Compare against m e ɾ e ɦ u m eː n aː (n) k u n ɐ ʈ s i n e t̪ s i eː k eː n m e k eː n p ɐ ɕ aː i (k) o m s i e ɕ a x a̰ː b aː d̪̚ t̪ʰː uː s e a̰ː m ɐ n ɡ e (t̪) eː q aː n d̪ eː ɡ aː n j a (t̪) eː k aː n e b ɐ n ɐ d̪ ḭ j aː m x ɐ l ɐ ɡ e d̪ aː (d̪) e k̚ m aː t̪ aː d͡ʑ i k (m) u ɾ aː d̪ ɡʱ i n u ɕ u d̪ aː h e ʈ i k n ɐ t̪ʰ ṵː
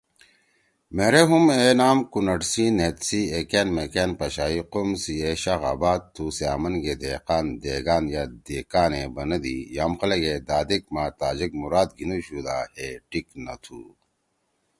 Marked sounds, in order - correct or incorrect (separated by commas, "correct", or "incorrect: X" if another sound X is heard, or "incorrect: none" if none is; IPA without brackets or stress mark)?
incorrect: m, incorrect: q, incorrect: d̪, incorrect: d̪, correct, correct